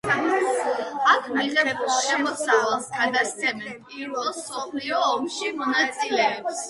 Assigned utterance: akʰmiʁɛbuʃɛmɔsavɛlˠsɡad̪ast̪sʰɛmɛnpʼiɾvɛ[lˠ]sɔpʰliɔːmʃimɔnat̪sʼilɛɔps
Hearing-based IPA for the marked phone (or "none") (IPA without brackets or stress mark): lˠ